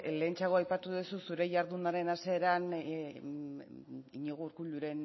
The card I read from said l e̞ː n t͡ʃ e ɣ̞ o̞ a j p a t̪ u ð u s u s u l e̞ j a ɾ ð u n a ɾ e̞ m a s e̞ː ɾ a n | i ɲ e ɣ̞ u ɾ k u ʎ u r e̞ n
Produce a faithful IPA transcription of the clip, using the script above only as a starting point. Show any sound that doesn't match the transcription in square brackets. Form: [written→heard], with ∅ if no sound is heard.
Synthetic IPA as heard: l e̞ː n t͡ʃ [e→a] ɣ̞ o̞ a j p a t̪ u ð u s u s u [l→ɾ] e̞ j a ɾ ð u n a ɾ e̞ [m→n] a s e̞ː ɾ a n | i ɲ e ɣ̞ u ɾ k u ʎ u [r→ɾ] e̞ n